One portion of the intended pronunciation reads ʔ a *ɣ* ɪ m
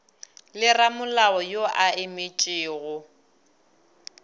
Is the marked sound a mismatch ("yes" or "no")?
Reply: yes